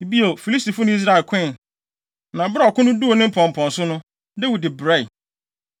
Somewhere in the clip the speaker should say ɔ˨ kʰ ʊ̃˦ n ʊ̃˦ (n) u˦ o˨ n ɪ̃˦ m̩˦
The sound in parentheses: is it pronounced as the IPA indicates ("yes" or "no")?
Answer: no